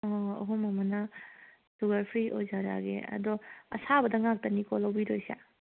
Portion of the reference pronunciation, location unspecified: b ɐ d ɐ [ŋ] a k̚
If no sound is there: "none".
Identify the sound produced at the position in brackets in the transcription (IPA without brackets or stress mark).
ŋ